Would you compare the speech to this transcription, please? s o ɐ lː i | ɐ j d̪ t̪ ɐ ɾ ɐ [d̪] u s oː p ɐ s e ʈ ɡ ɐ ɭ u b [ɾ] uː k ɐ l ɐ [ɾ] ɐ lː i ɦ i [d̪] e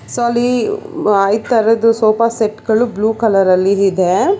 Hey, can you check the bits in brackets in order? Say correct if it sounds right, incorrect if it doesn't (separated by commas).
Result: correct, incorrect, correct, correct